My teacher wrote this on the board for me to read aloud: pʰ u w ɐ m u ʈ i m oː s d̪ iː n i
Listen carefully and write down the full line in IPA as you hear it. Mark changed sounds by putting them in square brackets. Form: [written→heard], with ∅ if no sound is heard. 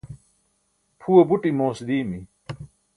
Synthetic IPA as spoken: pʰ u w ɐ [m→b] u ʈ i m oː s d̪ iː [n→m] i

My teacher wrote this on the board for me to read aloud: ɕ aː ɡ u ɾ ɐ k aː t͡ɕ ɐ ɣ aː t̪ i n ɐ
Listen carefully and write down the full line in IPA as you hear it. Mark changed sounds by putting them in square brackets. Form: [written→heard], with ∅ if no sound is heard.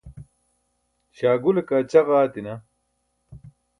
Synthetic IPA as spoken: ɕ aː ɡ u [ɾ→l] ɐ k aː t͡ɕ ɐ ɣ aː t̪ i n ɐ

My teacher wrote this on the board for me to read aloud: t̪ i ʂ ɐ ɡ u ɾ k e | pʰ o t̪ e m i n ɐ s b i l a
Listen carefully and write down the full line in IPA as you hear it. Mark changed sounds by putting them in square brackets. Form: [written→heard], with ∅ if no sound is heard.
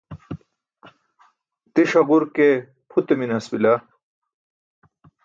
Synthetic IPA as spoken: t̪ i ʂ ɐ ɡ u ɾ k e | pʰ [o→u] t̪ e m i n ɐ s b i l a

